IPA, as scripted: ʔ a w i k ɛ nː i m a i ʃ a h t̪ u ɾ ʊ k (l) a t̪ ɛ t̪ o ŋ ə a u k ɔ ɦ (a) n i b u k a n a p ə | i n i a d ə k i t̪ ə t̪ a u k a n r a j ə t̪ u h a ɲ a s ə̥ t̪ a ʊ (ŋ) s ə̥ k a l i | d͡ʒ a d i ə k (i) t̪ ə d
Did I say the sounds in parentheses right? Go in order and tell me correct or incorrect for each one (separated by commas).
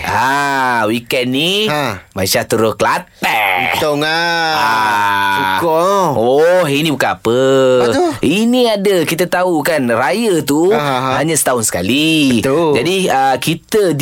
correct, incorrect, incorrect, correct